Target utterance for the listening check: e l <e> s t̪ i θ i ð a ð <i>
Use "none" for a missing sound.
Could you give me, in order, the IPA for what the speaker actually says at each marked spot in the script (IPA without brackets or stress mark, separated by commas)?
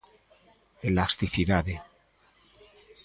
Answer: a, e